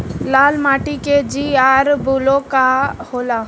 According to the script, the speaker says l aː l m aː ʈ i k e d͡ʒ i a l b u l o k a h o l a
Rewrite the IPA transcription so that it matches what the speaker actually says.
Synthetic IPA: l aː l m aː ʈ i k e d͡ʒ i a ɾ b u l o k a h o l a